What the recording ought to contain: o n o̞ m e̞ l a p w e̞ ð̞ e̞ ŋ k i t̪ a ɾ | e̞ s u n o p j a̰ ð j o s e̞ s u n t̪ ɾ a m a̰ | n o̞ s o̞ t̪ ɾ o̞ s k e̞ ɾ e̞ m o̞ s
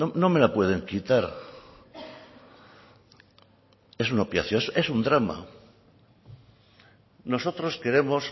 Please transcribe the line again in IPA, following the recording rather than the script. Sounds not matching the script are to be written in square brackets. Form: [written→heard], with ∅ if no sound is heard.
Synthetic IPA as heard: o n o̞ m e̞ l a p w e̞ ð̞ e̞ ŋ k i t̪ a ɾ | e̞ s u n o p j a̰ [ð→θ] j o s e̞ s u n [t̪→d̪] ɾ a m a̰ | n o̞ s o̞ t̪ ɾ o̞ s k e̞ ɾ e̞ m o̞ s

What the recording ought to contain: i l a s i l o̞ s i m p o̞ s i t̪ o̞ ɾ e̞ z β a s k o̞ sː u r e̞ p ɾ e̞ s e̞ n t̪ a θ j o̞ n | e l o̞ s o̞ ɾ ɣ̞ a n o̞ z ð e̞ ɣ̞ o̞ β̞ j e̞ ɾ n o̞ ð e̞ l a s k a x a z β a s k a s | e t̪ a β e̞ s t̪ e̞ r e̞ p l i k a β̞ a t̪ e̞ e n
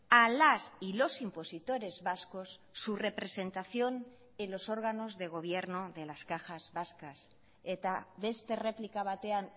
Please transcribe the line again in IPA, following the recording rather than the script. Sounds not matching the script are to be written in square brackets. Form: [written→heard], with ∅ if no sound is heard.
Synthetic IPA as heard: [i→a] l a s i l o̞ s i m p o̞ s i t̪ o̞ ɾ e̞ z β a s k o̞ sː u r e̞ p ɾ e̞ s e̞ n t̪ a θ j o̞ n | e l o̞ s o̞ ɾ ɣ̞ a n o̞ z ð e̞ ɣ̞ o̞ β̞ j e̞ ɾ n o̞ ð e̞ l a s k a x a z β a s k a s | e t̪ a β e̞ s t̪ e̞ r e̞ p l i k a β̞ a t̪ e̞ [e→a] n

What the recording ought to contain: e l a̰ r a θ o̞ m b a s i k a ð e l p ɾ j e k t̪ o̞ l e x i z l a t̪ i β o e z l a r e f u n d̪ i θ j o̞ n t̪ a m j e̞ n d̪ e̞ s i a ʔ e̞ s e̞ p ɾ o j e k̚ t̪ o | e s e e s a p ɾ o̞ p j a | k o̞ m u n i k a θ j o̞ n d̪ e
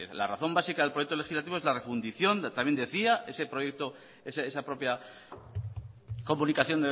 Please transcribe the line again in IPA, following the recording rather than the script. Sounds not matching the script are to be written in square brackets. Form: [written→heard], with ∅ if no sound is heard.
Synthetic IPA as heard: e l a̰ r a θ o̞ m b a s i k a ð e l p ɾ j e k t̪ o̞ l e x i z l a t̪ i β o e z l a r e f u n d̪ i θ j o̞ n t̪ a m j e̞ n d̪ e̞ [s→θ] i a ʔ e̞ s e̞ p ɾ o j e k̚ t̪ o | e s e e s a p ɾ o̞ p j a | k o̞ m u n i k a θ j o̞ n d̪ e

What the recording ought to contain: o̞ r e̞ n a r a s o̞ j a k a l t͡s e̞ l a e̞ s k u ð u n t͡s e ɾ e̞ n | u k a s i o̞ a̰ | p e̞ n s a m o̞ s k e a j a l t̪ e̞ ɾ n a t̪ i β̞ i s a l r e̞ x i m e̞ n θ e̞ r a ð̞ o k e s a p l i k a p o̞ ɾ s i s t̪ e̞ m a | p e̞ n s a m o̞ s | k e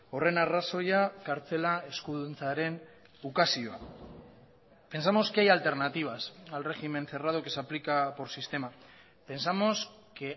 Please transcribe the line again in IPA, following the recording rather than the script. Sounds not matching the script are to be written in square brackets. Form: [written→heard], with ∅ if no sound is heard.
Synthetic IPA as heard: o̞ r e̞ n a r a s o̞ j a k a [l→ɾ] t͡s e̞ l a e̞ s k u ð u n t͡s [e→a] ɾ e̞ n | u k a s i o̞ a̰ | p e̞ n s a m o̞ s k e a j a l t̪ e̞ ɾ n a t̪ i β̞ [i→a] s a l r e̞ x i m e̞ n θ e̞ r a ð̞ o k e s a p l i k a p o̞ ɾ s i s t̪ e̞ m a | p e̞ n s a m o̞ s | k e

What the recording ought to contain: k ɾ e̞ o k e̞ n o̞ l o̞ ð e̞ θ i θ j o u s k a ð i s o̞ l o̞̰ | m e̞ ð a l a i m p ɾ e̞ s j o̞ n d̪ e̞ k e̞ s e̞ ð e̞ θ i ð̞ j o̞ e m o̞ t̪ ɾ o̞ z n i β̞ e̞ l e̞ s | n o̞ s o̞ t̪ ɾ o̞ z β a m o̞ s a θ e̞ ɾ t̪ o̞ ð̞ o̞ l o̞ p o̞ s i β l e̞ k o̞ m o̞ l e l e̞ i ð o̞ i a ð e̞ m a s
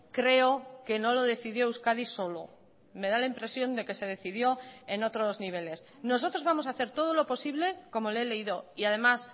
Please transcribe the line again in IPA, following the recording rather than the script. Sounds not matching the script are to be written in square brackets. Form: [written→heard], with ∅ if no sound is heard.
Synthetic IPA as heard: k ɾ e̞ o k e̞ n o̞ l o̞ ð e̞ θ i [θ→ð] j o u s k a ð i s o̞ l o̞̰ | m e̞ ð a l a i m p ɾ e̞ s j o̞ n d̪ e̞ k e̞ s e̞ ð e̞ θ i ð̞ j o̞ e [m→n] o̞ t̪ ɾ o̞ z n i β̞ e̞ l e̞ s | n o̞ s o̞ t̪ ɾ o̞ z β a m o̞ s a θ e̞ ɾ t̪ o̞ ð̞ o̞ l o̞ p o̞ s i β l e̞ k o̞ m o̞ l e l e̞ i ð o̞ i a ð e̞ m a s

